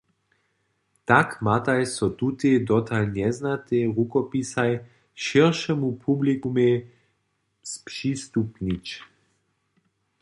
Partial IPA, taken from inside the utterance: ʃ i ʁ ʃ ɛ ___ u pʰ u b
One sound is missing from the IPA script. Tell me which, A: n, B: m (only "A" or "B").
B